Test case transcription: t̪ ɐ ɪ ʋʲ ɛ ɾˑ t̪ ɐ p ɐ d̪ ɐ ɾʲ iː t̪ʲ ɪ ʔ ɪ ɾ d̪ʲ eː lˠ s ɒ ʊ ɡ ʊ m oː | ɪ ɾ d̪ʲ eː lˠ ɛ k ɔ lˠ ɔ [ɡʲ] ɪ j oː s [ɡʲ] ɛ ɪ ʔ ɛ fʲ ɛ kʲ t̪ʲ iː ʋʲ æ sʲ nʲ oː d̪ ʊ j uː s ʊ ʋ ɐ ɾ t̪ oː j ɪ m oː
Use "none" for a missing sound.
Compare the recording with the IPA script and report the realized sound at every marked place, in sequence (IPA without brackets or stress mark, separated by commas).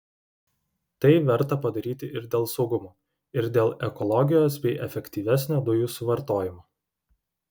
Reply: ɡʲ, bʲ